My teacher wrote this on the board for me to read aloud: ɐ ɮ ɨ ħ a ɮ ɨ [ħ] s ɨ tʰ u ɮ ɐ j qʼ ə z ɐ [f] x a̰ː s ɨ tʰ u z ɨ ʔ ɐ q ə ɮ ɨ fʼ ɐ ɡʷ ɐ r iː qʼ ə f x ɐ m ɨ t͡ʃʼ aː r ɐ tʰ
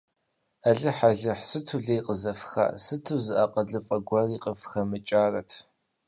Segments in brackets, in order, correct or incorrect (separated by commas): correct, correct